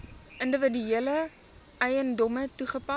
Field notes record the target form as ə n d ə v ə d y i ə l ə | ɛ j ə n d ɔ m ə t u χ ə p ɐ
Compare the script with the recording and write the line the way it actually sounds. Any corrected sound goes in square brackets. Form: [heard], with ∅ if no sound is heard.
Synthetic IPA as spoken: ə n d ə v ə d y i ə l ə | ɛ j ə n d ɔ m ə t u χ ə p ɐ